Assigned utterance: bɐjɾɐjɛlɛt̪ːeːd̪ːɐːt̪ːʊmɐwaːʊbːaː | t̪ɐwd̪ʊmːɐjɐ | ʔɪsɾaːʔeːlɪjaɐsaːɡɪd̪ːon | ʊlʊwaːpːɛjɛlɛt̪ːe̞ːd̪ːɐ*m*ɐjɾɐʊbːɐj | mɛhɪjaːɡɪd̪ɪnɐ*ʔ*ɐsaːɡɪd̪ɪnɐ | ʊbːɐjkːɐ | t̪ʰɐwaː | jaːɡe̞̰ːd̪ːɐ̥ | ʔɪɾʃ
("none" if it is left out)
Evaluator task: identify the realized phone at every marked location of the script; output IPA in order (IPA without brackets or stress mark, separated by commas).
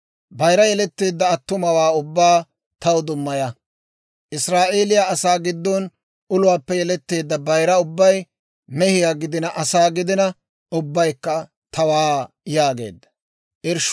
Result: b, ʔ